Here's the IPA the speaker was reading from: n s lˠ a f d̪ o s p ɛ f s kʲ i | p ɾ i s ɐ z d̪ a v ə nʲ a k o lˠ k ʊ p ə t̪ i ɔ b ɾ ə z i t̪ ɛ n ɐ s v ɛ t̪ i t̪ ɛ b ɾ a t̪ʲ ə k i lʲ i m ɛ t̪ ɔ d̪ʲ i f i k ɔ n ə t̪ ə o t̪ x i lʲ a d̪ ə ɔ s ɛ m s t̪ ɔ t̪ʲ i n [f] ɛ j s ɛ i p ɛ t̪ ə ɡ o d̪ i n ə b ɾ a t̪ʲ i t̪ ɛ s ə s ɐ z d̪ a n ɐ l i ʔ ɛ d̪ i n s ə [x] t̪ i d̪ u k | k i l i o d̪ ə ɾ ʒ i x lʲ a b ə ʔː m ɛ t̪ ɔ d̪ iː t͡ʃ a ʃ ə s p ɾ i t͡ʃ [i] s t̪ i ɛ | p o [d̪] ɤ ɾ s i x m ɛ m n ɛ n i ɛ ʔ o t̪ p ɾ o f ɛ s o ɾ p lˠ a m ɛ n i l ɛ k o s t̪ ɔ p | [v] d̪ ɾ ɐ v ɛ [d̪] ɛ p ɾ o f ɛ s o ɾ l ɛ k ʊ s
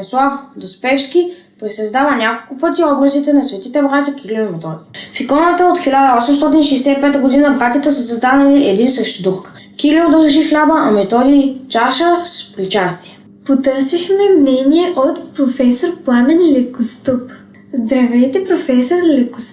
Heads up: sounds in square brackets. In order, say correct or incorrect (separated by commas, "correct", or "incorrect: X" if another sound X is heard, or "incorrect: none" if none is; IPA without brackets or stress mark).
incorrect: ʃ, incorrect: ʃ, incorrect: a, incorrect: t̪, incorrect: z, incorrect: t̪